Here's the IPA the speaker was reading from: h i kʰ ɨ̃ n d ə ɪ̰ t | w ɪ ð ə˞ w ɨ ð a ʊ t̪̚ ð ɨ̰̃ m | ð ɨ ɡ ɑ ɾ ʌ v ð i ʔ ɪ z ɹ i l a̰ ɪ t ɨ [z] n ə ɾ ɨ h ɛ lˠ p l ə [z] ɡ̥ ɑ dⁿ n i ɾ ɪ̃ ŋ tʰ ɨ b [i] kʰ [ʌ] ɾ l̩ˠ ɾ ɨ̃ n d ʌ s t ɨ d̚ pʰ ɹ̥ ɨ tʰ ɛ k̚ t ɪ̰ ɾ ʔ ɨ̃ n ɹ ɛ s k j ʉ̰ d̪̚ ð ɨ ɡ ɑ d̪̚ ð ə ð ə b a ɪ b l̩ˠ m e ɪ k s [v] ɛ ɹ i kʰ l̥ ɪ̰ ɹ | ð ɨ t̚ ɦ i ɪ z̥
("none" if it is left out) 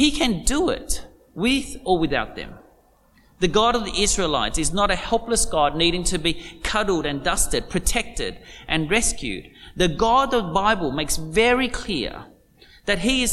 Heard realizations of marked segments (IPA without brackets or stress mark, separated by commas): z, s, i, ʌ, v